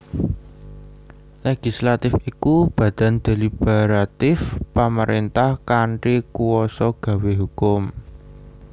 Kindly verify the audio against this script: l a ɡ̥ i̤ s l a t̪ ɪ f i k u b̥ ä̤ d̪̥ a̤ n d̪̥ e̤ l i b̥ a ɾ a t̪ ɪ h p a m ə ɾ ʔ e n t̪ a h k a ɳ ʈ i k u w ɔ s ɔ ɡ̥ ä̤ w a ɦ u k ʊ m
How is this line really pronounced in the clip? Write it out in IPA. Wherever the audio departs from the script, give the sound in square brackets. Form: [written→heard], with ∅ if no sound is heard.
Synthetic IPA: l [a→e] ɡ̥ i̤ s l a t̪ ɪ f i k u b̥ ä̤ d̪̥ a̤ n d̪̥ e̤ l i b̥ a ɾ a t̪ ɪ [h→f] p a m ə ɾ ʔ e n t̪ a h k a ɳ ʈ i k u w ɔ s ɔ ɡ̥ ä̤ w [a→e] ɦ u k ʊ m